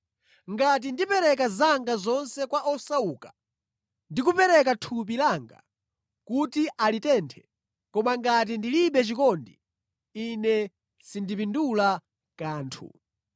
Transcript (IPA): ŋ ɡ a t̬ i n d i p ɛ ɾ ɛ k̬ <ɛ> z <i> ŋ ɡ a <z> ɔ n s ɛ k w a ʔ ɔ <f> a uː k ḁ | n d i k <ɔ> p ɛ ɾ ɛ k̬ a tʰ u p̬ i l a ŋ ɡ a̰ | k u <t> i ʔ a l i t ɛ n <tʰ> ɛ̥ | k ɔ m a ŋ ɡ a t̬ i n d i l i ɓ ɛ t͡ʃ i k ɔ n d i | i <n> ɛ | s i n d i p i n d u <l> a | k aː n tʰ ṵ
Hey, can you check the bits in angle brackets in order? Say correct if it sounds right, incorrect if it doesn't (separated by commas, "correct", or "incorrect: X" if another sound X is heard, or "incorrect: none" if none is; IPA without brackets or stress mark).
incorrect: a, incorrect: a, correct, incorrect: s, incorrect: u, correct, correct, correct, correct